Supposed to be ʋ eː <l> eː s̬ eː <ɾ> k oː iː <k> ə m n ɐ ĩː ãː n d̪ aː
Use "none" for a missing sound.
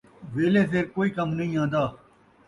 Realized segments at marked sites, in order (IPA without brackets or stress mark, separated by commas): l, ɾ, k